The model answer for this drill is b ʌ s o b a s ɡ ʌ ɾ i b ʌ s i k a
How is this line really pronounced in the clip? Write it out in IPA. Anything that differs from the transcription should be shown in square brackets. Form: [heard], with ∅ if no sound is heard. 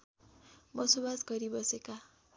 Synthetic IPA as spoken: b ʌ s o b a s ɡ ʌ ɾ i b ʌ s [e] k a